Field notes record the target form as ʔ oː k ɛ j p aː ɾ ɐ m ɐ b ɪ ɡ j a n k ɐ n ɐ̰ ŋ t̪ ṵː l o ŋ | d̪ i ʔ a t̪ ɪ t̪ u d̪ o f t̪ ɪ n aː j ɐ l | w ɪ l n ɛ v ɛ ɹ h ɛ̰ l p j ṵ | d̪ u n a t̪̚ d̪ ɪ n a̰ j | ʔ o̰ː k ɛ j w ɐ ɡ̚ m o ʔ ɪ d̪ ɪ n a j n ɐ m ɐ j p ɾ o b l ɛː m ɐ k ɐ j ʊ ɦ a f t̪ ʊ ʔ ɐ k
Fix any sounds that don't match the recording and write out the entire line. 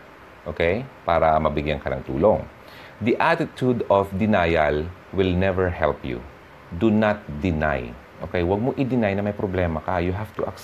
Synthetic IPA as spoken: ʔ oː k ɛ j p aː ɾ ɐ m ɐ b ɪ ɡ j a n k ɐ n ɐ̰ ŋ t̪ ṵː l o ŋ | d̪ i ʔ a t̪ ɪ t̪ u d̪ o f d̪ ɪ n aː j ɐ l | w ɪ l n ɛ v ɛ ɹ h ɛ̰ l p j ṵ | d̪ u n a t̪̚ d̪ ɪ n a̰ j | ʔ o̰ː k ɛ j w ɐ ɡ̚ m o ʔ ɪ d̪ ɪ n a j n ɐ m ɐ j p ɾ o b l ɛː m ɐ k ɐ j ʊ ɦ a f t̪ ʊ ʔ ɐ k